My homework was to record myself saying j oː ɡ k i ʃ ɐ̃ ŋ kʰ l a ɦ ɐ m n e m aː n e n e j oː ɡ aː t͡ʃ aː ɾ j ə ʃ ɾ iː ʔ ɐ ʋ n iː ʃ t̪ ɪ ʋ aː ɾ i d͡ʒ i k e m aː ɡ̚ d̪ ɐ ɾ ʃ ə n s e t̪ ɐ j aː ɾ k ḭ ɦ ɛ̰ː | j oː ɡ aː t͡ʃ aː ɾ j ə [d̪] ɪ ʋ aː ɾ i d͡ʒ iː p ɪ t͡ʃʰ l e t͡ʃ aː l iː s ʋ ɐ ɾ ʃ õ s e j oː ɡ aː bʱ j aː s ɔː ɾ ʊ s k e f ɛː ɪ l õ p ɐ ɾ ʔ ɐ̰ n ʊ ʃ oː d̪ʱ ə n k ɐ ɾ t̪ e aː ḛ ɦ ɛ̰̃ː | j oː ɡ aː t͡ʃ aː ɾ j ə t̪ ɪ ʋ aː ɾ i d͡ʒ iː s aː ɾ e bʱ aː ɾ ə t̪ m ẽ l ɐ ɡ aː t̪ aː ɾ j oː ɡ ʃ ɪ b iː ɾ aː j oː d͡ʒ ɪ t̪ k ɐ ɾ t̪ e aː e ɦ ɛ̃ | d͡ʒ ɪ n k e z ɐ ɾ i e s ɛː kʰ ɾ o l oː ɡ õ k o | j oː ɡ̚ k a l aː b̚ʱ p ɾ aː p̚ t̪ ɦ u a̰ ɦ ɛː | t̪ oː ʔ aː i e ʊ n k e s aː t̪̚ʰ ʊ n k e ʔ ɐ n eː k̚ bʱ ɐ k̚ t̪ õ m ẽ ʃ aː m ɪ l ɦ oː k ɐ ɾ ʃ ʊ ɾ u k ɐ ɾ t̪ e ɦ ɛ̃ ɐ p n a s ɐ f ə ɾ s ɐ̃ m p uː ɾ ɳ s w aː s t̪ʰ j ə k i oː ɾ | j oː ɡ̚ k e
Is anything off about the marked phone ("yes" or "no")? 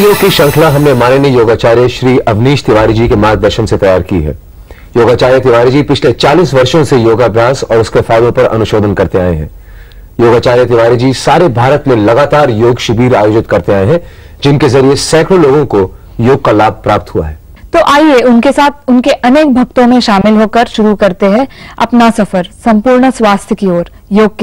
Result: yes